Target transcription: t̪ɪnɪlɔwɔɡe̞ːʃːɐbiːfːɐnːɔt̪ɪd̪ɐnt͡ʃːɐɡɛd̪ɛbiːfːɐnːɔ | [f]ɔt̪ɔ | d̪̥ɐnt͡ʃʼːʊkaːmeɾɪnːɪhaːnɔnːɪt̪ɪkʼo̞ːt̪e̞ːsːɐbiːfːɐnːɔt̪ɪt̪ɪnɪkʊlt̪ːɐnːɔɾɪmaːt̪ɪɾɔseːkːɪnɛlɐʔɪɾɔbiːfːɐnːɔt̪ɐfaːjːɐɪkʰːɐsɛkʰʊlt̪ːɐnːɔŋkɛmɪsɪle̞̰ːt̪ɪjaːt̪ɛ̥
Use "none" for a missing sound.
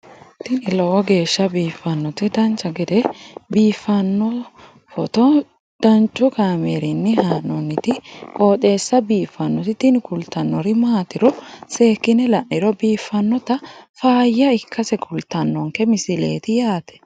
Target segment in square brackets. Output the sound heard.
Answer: f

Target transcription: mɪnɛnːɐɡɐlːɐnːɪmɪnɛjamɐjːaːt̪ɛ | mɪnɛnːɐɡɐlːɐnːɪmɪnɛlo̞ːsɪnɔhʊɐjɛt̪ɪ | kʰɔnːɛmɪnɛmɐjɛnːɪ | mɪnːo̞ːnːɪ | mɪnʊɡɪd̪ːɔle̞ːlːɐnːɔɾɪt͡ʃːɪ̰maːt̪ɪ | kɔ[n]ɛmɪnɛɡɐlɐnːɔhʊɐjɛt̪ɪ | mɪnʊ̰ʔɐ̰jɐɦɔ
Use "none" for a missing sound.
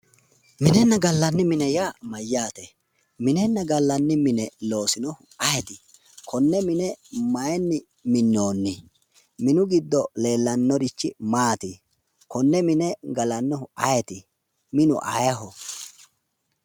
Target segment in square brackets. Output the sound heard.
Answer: nː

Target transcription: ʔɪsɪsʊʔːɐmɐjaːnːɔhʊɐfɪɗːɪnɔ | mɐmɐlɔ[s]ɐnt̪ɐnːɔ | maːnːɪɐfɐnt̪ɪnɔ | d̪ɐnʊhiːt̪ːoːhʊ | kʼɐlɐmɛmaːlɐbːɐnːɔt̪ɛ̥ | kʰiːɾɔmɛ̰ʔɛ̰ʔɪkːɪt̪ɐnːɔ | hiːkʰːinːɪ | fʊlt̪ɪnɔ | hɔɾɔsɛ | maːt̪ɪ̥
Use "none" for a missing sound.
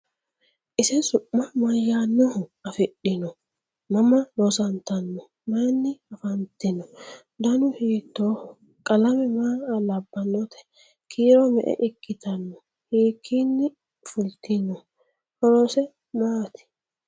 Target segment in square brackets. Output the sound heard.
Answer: s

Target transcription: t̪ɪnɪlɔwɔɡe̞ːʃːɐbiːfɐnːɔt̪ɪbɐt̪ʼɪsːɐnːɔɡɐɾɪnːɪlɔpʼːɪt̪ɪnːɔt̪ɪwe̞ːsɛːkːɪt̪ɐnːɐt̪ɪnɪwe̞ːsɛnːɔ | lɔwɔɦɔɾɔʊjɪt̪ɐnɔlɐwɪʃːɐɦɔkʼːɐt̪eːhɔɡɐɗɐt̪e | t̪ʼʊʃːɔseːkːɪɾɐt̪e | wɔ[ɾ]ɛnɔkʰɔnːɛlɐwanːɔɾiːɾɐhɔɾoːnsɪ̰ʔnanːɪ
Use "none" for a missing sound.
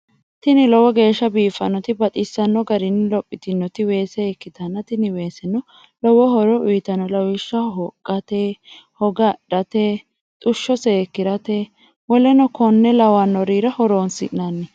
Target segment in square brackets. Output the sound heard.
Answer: l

